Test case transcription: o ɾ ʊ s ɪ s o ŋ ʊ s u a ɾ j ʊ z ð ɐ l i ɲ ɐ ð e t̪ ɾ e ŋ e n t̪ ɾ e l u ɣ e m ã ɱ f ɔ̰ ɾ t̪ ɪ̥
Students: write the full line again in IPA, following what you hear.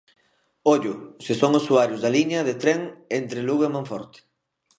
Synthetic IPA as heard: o ʎ ʊ s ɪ s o ŋ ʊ s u a ɾ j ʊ z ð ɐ l i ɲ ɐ ð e t̪ ɾ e ŋ e n t̪ ɾ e l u ɣ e m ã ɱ f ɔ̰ ɾ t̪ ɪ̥